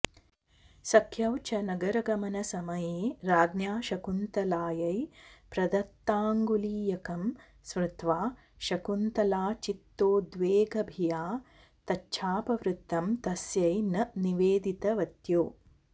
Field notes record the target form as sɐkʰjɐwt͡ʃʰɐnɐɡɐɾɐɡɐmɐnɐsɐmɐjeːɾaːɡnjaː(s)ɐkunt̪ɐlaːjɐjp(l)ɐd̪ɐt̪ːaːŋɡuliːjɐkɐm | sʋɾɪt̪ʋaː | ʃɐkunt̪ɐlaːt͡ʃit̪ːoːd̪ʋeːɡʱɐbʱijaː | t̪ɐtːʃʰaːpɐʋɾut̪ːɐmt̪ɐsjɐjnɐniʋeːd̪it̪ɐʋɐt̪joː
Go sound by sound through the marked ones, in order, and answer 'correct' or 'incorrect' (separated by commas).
incorrect, incorrect